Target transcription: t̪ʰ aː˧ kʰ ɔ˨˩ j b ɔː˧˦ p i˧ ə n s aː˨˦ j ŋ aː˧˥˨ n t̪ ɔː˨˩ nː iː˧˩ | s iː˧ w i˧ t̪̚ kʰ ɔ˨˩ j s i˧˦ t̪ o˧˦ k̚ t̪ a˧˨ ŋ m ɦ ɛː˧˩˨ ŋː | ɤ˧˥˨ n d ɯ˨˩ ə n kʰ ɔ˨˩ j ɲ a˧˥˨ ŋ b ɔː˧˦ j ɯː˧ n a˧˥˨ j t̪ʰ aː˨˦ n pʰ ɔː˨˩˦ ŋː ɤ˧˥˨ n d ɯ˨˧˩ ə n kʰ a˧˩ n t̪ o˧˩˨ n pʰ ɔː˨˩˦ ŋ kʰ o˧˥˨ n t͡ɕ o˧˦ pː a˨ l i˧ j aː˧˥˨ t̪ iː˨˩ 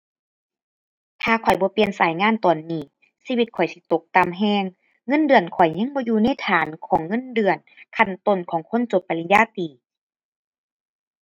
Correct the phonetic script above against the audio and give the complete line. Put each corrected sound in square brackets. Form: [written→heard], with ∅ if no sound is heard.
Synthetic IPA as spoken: t̪ʰ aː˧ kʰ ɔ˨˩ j b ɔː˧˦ p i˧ ə n s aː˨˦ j ŋ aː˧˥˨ n t̪ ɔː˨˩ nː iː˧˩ | s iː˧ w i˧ t̪̚ kʰ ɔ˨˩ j s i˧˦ t̪ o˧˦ k̚ t̪ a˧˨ [ŋ→∅] m ɦ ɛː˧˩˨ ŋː | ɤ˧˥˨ n d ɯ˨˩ ə n kʰ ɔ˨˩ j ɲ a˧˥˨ ŋ b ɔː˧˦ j [ɯː˧→uː˧] n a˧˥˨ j t̪ʰ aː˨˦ n [pʰ→kʰ] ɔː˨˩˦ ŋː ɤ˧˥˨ n d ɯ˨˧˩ ə n kʰ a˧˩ n t̪ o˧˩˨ n [pʰ→kʰ] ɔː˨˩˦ ŋ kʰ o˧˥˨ n t͡ɕ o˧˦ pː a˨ l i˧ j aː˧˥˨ t̪ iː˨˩